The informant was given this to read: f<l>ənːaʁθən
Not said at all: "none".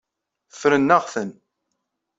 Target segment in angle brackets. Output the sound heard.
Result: ɾ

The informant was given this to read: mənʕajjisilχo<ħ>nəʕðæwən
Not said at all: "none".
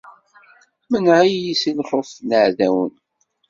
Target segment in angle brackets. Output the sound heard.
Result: f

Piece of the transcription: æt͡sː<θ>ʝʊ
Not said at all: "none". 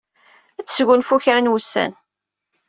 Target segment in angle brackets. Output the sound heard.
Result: s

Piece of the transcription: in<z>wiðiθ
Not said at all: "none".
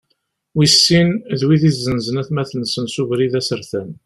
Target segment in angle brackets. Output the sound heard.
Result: ð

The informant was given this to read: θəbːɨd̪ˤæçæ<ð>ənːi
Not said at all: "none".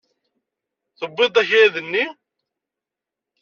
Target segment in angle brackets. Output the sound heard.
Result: ð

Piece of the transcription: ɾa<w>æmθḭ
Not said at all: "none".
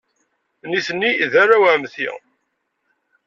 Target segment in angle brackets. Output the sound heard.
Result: w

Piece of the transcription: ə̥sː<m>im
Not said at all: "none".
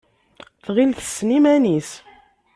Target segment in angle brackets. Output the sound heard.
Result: n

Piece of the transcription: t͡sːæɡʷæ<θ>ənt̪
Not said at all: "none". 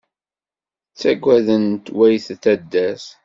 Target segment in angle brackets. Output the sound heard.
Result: ð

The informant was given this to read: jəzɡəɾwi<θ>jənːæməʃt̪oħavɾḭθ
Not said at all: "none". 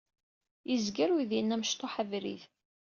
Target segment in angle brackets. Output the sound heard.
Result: ð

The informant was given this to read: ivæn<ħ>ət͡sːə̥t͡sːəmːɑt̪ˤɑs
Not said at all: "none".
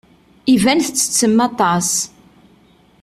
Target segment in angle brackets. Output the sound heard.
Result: θ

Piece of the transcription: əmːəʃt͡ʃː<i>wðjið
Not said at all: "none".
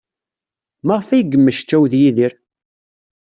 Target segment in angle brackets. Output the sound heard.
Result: æ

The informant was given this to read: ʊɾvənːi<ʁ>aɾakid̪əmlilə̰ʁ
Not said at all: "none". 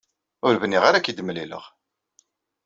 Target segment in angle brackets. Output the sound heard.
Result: ʁ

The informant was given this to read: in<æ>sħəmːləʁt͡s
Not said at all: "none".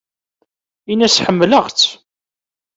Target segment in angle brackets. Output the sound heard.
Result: æ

